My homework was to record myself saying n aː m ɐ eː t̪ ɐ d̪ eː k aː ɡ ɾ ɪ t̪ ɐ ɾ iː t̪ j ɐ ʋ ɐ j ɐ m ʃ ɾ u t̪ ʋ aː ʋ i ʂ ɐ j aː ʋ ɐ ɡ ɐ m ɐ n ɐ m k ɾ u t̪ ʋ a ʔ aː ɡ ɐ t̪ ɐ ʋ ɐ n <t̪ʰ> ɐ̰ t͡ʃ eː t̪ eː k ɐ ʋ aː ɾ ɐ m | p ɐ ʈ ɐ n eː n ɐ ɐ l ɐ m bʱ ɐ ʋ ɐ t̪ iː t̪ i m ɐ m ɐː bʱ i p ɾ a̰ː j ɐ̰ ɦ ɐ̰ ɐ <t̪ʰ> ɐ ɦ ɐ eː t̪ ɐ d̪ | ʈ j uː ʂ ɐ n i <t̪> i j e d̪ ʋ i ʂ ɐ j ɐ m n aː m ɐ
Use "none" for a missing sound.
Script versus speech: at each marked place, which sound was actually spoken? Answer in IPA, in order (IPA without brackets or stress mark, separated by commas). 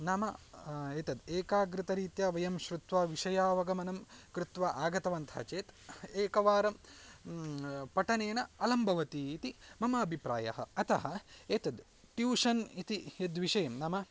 t̪ʰ, t̪, t̪